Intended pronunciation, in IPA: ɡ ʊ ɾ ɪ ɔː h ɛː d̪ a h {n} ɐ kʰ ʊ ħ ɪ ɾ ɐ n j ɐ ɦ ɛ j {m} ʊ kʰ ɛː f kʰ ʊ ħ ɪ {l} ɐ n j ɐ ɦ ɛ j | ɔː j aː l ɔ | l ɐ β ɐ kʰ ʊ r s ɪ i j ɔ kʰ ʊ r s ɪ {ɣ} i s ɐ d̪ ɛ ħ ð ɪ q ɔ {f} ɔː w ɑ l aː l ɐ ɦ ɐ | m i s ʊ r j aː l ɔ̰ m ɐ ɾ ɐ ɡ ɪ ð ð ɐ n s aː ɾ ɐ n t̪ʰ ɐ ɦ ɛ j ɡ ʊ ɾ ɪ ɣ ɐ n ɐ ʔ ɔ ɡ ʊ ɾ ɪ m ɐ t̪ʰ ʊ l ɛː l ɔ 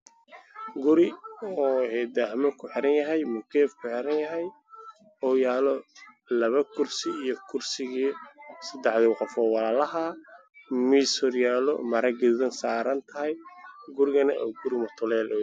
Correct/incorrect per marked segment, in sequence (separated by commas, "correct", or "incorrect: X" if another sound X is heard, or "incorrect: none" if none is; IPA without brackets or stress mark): incorrect: m, correct, incorrect: ɾ, correct, correct